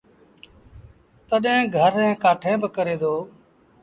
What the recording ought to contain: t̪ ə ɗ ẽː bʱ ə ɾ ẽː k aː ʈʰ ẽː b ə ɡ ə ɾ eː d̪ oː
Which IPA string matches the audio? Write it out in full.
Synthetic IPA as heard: t̪ ə ɗ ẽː ɡʱ ə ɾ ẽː k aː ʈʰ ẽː b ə k ə ɾ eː d̪ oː

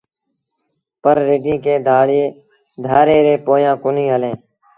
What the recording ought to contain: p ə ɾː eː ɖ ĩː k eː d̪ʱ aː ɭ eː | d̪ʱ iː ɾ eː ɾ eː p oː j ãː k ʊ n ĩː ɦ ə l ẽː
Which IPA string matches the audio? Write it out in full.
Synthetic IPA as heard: p ə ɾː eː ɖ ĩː k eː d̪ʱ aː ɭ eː | d̪ʱ aː ɾ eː ɾ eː p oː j ãː k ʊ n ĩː ɦ ə l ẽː

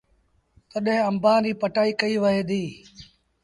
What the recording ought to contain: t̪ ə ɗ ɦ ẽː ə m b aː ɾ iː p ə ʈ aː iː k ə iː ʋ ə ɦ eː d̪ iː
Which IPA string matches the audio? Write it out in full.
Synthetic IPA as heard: t̪ ə ɗ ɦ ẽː ə m b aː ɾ iː p ə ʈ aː iː k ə iː ʋ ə ɦ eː d̪ iː

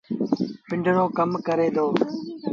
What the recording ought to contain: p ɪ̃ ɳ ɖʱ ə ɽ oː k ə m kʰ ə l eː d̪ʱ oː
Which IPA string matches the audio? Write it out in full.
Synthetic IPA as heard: p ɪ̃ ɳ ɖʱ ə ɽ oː k ə m k ə ɾ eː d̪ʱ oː

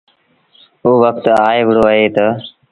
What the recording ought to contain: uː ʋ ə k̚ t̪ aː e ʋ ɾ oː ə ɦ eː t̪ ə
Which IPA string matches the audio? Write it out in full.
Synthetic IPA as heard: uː ʋ ə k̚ t̪ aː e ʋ ɽ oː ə ɦ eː t̪ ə

